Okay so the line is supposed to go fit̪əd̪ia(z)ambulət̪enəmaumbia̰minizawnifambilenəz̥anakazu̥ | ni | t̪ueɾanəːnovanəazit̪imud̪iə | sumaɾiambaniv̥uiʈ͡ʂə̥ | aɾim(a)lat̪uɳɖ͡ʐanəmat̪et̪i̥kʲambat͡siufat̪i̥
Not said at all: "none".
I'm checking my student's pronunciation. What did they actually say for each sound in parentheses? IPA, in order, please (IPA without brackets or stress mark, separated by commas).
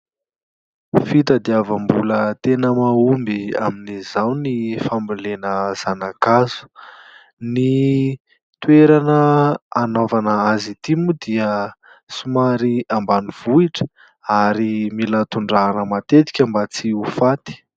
v, i